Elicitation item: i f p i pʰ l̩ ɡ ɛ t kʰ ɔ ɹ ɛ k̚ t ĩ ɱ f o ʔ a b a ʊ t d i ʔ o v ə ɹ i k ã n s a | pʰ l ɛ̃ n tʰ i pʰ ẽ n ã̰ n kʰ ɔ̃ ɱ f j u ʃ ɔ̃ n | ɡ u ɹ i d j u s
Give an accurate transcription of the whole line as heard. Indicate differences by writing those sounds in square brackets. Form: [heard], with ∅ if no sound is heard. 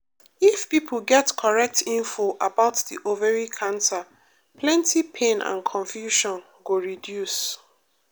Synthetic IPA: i f p i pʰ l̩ ɡ ɛ t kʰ ɔ ɹ ɛ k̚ t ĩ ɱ f o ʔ a b a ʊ t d i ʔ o v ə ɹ i [kʰ] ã n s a | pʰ l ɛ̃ n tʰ i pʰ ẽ n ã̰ n kʰ ɔ̃ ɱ f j u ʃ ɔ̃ n | ɡ [o] ɹ i d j u s